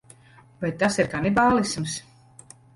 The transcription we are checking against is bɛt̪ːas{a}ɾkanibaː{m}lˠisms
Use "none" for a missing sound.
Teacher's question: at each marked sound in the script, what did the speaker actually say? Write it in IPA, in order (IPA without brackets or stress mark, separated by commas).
i, none